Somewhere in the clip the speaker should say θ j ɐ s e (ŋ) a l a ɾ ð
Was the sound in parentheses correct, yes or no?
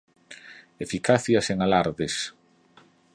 yes